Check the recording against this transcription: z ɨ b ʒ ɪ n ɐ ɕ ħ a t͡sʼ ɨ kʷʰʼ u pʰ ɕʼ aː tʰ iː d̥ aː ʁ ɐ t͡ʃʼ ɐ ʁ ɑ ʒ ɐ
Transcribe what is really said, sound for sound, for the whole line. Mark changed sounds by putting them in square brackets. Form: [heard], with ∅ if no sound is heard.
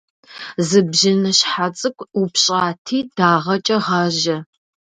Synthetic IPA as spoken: z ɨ b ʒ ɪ n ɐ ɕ ħ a t͡sʼ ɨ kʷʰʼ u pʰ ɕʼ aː tʰ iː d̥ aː ʁ ɐ t͡ʃʼ ɐ ʁ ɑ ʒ ɐ